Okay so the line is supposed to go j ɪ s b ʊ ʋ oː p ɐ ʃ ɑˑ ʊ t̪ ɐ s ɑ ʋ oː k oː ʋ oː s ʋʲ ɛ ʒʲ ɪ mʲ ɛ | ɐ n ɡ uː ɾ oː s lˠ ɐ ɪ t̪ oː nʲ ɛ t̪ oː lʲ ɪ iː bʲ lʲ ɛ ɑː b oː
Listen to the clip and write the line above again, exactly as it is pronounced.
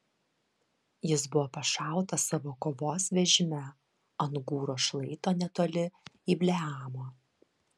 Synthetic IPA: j ɪ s b ʊ ʋ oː p ɐ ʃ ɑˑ ʊ t̪ ɐ s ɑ ʋ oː k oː ʋ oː s ʋʲ ɛ ʒʲ ɪ mʲ ɛ | ɐ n ɡ uː ɾ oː ʃ lˠ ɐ ɪ t̪ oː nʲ ɛ t̪ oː lʲ ɪ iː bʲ lʲ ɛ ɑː m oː